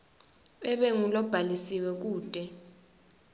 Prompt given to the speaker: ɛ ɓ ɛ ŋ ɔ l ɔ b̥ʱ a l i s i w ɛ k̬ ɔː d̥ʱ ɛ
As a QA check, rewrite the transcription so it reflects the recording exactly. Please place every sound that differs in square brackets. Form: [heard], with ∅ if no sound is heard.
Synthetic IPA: ɛ ɓ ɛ ŋ [u] l ɔ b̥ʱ a l i s i w ɛ k̬ [uː] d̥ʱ ɛ